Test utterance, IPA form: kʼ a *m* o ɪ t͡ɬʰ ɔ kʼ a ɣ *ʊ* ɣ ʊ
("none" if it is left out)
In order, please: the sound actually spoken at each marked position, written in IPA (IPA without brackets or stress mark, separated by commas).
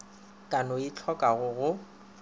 n, ʊ